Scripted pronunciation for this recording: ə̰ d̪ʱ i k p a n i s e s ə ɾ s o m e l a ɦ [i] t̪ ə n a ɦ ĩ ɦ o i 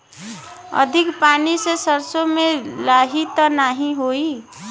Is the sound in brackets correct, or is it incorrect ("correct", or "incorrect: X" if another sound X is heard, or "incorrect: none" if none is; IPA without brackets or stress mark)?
correct